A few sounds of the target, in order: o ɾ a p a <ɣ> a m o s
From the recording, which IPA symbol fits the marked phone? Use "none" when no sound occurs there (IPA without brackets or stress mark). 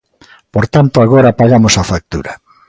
ɣ